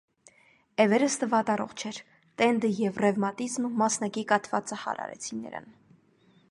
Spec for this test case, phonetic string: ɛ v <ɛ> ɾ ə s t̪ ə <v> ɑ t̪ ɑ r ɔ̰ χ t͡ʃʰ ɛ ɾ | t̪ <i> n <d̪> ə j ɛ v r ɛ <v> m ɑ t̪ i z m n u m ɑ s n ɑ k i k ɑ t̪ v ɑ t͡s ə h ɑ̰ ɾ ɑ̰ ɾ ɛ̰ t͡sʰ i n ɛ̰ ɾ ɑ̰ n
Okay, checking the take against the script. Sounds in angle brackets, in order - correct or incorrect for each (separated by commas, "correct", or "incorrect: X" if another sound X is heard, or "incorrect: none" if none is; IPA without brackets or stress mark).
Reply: correct, correct, incorrect: ɛ, correct, correct